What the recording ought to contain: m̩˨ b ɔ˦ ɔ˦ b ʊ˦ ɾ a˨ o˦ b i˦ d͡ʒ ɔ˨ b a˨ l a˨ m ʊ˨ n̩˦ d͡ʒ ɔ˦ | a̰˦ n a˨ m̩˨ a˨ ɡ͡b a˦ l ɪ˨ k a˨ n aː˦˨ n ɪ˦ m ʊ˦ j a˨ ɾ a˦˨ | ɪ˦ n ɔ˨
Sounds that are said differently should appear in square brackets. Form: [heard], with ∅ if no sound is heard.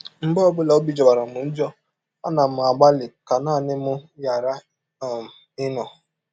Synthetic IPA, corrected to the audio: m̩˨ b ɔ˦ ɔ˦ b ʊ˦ [l] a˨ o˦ b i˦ d͡ʒ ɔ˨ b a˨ [ɾ] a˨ m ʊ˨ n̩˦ d͡ʒ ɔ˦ | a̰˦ n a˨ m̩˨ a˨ ɡ͡b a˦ l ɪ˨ k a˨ n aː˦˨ n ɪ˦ m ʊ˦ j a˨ ɾ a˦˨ | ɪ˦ n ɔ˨